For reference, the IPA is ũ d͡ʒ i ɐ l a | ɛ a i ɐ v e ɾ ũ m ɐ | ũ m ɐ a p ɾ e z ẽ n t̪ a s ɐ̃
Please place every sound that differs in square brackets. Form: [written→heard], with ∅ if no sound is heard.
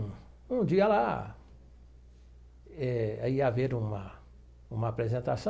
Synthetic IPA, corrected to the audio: ũ d͡ʒ i ɐ l a | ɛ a i [ɐ→a] v e ɾ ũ m ɐ | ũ m ɐ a p ɾ e z ẽ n t̪ a s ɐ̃